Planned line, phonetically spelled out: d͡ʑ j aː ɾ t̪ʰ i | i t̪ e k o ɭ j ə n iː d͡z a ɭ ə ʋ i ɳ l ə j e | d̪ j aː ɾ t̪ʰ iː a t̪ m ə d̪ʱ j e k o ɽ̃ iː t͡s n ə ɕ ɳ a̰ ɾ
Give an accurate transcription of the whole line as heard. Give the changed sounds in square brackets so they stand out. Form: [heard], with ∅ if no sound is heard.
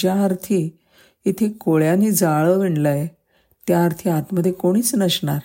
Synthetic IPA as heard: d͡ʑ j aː ɾ t̪ʰ i | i [t̪ʰ] e k o ɭ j [a] n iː d͡z a ɭ ə ʋ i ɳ l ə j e | [t̪] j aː ɾ t̪ʰ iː a t̪ m ə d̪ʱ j e k o ɽ̃ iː t͡s n ə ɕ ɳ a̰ ɾ